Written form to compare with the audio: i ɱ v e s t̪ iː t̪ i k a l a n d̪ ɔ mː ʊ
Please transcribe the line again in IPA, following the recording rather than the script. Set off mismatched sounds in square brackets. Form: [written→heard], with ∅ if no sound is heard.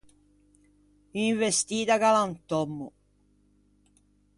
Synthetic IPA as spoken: i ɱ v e s t̪ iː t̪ [i→a] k a l a n [d̪→t̪] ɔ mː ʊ